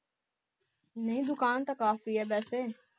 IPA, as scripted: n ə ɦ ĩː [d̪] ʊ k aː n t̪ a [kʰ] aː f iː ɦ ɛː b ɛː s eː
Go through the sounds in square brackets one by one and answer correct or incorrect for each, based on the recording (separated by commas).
correct, incorrect